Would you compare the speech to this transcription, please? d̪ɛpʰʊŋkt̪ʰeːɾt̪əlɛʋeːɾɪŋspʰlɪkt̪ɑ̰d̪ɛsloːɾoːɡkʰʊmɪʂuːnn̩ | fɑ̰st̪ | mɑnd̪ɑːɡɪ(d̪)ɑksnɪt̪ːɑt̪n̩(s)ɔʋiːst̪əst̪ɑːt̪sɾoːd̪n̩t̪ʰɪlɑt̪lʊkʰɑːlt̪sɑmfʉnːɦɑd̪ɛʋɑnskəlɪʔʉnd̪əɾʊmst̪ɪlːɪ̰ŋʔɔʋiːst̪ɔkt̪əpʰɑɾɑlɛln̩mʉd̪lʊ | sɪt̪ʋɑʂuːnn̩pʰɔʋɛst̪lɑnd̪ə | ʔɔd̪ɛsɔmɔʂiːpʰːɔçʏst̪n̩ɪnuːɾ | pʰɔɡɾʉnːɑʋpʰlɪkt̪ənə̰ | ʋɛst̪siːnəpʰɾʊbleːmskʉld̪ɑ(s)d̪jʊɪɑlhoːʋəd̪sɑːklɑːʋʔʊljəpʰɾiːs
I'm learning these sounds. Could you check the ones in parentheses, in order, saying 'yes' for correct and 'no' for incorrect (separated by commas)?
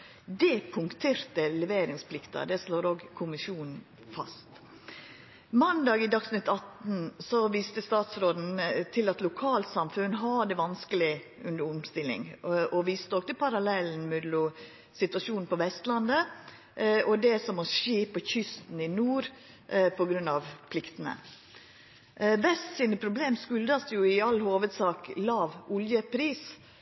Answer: yes, yes, yes